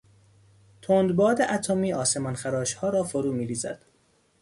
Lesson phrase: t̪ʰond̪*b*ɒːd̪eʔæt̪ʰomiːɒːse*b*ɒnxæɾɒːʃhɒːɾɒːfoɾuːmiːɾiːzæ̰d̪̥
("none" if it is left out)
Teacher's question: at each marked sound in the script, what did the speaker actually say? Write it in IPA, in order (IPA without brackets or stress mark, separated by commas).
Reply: b, m